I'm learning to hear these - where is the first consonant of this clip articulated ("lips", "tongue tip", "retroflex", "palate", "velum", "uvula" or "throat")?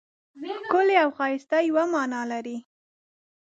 velum